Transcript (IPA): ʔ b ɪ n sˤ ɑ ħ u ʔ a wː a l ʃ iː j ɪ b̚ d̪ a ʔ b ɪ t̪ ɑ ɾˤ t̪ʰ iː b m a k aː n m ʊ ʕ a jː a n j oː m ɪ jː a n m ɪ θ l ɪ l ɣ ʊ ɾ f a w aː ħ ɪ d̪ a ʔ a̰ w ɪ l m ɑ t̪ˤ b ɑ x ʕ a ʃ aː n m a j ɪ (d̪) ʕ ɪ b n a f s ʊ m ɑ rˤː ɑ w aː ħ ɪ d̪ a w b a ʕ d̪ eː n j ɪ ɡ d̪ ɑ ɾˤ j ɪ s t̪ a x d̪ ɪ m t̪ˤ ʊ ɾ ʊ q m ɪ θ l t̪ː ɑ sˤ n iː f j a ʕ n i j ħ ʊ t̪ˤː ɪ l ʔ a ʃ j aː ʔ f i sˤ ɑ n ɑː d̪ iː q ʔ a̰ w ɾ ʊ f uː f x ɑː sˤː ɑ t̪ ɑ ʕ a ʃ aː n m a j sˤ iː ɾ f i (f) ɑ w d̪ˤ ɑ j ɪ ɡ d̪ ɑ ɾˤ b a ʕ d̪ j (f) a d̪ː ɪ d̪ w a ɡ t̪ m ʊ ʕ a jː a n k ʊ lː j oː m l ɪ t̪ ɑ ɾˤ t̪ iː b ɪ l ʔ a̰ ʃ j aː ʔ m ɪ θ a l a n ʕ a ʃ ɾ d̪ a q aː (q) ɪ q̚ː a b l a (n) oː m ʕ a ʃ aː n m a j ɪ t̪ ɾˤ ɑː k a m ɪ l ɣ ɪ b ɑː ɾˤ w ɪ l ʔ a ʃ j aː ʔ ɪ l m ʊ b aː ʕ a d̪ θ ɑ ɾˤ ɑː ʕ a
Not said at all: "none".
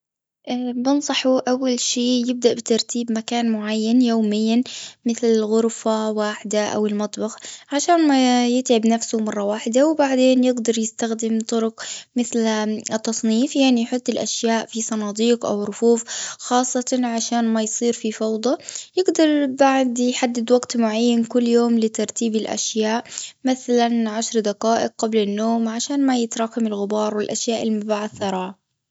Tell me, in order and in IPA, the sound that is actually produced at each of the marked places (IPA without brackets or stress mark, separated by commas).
t̪, f, ħ, ʔ, nː